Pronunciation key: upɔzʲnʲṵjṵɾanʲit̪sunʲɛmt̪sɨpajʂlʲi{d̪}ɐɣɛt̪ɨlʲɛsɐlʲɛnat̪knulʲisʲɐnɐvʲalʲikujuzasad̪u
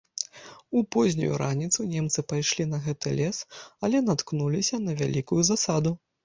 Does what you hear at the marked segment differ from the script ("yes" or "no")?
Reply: yes